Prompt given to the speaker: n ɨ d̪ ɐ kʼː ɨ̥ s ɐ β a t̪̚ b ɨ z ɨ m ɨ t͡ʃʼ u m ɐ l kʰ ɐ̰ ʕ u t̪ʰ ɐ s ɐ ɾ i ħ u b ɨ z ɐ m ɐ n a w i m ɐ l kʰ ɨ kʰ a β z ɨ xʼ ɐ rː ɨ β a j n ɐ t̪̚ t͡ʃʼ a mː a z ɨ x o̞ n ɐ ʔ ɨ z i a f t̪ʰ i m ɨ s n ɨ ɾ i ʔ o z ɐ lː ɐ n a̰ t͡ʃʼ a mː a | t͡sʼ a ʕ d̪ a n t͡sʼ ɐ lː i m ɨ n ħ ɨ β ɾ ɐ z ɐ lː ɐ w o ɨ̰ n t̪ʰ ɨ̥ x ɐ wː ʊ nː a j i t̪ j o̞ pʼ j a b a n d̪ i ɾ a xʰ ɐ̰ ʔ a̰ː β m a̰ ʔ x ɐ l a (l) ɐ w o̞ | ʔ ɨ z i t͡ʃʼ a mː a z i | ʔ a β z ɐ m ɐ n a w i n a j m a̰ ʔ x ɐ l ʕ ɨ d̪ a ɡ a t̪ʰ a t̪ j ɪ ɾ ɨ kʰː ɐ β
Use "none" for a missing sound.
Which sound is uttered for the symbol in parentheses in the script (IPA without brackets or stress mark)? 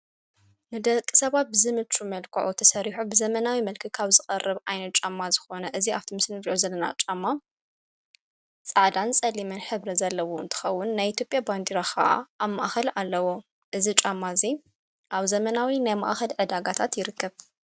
lː